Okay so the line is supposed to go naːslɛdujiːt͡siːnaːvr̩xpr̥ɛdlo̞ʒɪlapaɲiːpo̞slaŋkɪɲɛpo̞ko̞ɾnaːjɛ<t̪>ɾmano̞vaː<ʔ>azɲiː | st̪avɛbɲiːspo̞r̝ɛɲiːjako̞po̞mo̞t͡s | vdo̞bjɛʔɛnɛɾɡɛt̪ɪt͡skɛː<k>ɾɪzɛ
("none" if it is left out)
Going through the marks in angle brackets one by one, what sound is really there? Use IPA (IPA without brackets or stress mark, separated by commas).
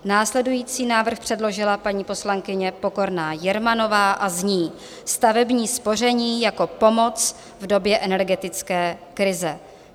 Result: none, ʔ, k